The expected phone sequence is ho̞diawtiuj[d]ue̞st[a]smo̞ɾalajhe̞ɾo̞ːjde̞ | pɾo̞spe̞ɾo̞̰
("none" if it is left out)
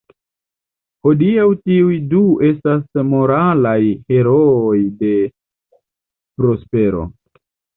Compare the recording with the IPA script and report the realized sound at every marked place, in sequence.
d, a

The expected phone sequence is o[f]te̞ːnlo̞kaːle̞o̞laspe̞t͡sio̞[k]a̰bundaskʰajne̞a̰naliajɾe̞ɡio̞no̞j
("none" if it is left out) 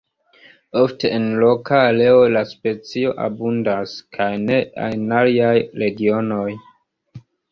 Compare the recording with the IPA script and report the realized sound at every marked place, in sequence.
f, ʔ

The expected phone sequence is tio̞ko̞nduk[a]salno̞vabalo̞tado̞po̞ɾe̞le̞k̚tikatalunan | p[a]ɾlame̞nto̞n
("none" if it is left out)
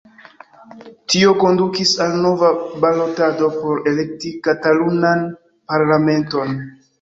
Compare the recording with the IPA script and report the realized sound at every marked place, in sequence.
i, a

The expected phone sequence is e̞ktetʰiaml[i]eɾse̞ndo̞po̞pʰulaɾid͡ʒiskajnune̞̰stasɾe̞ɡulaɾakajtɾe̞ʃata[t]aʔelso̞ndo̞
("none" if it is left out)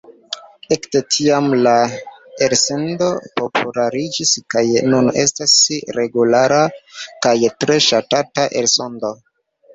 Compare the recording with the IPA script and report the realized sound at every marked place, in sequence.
a, t

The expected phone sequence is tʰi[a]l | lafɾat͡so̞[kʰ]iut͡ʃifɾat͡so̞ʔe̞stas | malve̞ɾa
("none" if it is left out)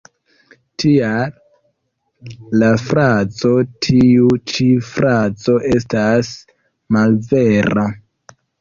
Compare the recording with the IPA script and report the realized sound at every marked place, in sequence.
a, tʰ

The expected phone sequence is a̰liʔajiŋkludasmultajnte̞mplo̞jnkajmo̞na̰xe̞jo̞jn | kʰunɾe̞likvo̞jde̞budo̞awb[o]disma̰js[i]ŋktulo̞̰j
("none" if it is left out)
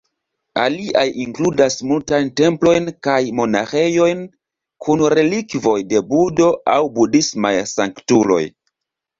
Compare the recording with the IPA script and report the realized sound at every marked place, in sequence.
u, a

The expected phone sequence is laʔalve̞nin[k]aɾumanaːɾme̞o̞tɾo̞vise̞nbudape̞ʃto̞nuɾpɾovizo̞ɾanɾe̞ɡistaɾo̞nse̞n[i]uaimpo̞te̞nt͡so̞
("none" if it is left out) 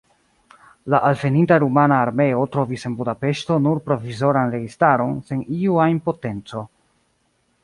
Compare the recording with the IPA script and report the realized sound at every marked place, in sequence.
t, i

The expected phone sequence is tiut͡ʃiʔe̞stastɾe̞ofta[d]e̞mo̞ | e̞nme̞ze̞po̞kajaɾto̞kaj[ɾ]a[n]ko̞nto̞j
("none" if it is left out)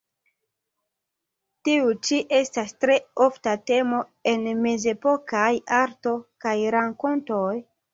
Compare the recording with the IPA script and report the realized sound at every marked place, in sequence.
t, ɾ, ŋ

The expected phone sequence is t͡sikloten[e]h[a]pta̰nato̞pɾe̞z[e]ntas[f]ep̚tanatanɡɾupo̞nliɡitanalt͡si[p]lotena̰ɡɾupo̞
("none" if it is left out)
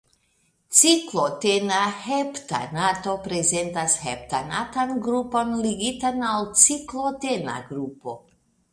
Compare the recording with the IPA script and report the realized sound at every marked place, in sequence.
a, e, e, h, k

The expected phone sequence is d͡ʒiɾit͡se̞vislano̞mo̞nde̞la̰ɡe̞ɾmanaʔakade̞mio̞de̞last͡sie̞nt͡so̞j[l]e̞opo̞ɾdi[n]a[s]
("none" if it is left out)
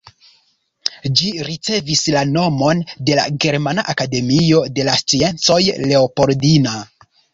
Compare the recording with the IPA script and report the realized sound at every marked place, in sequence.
l, n, none

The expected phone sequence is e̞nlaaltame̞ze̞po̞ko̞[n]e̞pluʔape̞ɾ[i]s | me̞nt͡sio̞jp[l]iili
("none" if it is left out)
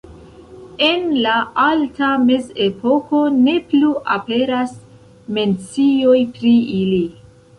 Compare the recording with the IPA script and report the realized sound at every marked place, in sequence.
n, a, ɾ

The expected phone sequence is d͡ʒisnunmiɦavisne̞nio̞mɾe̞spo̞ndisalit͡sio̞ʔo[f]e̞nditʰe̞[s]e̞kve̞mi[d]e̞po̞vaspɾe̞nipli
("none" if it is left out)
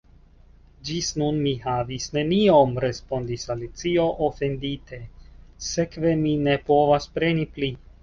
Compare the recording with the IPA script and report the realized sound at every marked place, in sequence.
f, s, n

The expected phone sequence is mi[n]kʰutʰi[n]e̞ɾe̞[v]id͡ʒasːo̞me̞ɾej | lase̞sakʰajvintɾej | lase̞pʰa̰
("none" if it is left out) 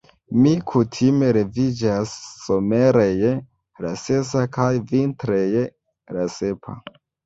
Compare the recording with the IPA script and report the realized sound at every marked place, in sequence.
none, m, v

